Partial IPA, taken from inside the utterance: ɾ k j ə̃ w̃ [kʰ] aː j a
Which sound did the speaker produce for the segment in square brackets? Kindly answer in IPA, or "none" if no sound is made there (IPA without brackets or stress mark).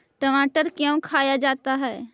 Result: kʰ